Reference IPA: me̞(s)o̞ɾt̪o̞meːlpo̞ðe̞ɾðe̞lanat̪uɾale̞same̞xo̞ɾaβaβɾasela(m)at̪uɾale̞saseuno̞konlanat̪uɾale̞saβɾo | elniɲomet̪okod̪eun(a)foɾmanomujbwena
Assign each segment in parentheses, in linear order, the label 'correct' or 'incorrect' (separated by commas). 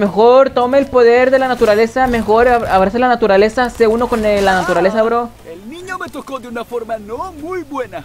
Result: incorrect, incorrect, correct